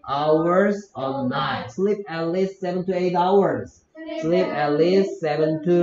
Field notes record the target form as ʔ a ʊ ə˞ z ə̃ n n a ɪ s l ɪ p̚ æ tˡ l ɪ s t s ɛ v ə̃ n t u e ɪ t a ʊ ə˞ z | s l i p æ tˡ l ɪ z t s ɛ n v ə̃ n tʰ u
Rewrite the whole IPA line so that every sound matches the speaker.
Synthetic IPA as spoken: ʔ a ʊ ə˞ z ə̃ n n a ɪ s l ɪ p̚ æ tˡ l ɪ s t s ɛ v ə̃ n t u e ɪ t a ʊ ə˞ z | s l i p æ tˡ l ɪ s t s ɛ v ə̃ n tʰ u